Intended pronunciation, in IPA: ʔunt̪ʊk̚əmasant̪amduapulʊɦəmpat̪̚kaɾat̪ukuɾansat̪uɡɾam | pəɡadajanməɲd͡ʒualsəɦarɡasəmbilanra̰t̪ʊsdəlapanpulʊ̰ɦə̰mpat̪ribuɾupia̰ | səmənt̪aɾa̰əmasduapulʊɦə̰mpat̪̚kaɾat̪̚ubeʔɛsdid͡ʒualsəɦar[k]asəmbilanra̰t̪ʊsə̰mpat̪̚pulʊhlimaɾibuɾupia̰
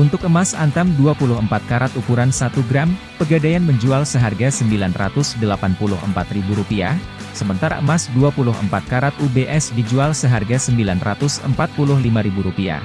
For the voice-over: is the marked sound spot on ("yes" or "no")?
no